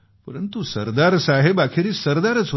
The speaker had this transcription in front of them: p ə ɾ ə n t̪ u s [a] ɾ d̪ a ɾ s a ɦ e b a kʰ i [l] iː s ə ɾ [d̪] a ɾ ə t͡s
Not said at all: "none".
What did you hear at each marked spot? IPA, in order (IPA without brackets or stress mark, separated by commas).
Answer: ə, ɾ, d̪